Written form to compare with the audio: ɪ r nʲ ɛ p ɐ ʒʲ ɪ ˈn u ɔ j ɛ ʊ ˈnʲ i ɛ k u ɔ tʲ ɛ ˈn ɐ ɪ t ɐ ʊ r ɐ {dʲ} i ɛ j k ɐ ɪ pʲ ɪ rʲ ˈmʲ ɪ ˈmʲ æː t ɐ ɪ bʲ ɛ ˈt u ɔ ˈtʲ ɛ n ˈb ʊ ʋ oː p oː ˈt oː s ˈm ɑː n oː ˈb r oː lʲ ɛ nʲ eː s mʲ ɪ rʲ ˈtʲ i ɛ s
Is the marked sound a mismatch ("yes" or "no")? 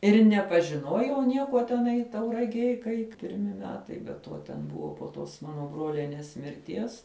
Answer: yes